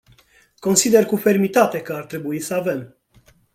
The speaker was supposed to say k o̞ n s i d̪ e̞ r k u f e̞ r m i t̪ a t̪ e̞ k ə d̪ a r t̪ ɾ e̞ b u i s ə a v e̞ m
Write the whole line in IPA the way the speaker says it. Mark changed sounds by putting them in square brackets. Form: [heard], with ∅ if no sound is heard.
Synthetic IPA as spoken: k o̞ n s i d̪ e̞ r k u f e̞ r m i t̪ a t̪ e̞ k ə [∅] a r t̪ ɾ e̞ b u i s ə a v e̞ m

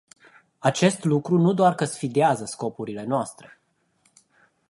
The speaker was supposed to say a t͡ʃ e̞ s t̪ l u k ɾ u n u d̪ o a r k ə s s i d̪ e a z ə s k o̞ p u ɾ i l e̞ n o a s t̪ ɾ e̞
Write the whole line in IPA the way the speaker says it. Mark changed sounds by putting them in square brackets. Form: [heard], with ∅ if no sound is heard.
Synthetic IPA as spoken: a t͡ʃ e̞ s t̪ l u k ɾ u n u d̪ o a r k ə s [f] i d̪ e a z ə s k o̞ p u ɾ i l e̞ n o a s t̪ ɾ e̞

